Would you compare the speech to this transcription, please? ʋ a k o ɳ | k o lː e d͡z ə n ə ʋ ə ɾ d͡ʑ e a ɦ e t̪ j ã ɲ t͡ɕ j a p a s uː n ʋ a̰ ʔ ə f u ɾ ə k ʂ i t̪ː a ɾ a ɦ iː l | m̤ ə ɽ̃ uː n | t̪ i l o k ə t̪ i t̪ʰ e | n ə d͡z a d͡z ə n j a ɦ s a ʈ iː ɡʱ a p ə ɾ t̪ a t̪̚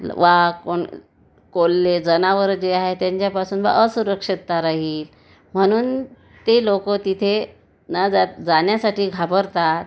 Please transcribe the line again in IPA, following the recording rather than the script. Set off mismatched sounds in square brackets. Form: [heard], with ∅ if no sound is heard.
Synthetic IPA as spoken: ʋ a k o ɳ | k o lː e d͡z ə n [a] ʋ ə ɾ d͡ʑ e a ɦ e t̪ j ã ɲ t͡ɕ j a p a s uː n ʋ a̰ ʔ ə [s] u ɾ ə k ʂ i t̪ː a ɾ a ɦ iː l | m̤ ə ɽ̃ uː n | t̪ [e] l o k ə t̪ i t̪ʰ e | n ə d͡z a d͡z [a] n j a [∅] s a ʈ iː ɡʱ a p ə ɾ t̪ a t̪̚